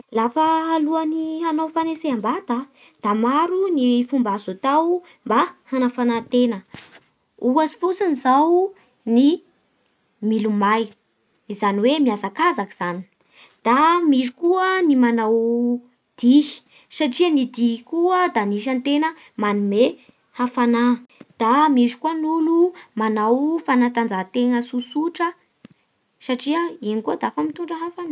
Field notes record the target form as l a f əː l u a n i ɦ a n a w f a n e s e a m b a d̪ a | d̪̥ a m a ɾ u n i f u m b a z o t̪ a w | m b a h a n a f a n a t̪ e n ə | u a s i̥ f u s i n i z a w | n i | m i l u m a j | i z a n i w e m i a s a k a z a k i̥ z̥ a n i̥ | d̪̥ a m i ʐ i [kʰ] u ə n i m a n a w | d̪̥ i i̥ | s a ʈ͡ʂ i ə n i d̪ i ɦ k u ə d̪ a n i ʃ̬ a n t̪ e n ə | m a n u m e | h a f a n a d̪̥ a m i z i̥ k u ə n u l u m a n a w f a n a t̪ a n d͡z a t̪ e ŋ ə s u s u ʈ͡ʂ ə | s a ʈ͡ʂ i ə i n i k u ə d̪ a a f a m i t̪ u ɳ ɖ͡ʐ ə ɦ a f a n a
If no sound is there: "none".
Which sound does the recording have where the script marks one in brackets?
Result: k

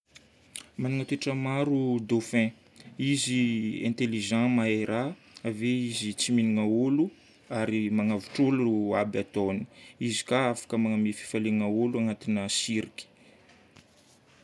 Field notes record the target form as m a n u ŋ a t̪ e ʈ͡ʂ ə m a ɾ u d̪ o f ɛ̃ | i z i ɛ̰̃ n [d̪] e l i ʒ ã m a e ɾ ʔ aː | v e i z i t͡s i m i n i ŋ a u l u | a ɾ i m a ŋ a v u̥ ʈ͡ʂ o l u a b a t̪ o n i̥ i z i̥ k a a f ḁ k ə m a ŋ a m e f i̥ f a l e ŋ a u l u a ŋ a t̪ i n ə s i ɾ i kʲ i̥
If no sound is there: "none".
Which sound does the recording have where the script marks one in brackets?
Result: t̪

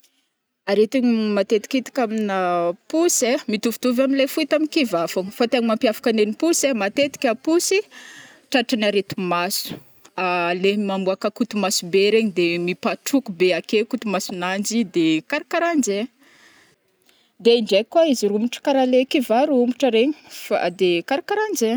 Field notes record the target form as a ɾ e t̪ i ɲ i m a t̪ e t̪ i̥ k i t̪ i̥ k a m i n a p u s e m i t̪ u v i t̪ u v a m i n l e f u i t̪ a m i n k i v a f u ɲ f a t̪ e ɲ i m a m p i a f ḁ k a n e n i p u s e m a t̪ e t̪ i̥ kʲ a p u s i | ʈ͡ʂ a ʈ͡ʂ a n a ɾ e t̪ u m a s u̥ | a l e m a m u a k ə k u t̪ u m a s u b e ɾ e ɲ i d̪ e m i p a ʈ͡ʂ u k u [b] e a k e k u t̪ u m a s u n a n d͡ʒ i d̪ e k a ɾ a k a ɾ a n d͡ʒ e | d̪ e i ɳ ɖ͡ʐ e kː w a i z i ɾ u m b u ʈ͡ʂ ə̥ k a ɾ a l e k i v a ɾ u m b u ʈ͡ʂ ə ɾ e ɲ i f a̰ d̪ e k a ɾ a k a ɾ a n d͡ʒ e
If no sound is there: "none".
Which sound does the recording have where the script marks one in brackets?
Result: b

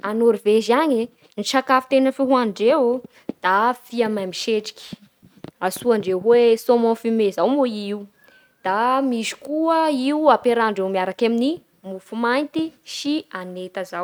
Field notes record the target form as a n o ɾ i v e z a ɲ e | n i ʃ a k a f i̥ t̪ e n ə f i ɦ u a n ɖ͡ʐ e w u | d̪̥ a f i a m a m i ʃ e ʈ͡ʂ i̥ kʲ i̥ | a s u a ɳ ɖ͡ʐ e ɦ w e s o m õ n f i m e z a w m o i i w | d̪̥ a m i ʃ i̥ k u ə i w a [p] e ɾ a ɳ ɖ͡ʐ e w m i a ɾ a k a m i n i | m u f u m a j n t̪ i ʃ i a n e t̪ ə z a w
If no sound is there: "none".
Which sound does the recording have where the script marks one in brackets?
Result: p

